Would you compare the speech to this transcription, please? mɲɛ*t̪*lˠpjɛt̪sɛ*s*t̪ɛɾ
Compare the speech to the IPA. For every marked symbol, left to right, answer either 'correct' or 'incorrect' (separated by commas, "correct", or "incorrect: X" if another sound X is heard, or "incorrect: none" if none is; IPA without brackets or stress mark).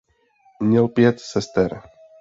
incorrect: none, correct